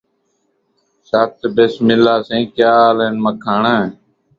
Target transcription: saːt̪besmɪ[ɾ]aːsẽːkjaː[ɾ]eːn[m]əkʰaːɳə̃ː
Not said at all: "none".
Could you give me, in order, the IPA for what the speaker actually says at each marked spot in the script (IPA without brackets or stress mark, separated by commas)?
l, l, m